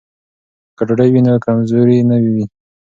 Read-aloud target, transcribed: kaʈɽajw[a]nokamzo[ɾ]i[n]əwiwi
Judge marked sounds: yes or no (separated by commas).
no, yes, yes